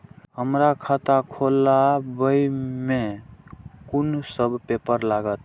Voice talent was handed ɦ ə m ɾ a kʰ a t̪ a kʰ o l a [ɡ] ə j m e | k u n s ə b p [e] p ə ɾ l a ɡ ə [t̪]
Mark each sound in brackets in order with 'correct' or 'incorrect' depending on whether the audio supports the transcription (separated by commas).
incorrect, correct, correct